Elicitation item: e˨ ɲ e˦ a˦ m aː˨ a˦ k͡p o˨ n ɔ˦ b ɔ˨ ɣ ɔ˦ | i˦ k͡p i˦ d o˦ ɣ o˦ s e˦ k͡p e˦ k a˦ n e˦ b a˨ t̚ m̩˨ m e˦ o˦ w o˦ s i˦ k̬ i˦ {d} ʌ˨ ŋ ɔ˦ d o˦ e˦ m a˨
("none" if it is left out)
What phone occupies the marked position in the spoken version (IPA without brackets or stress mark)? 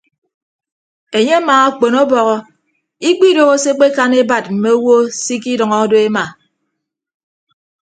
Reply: d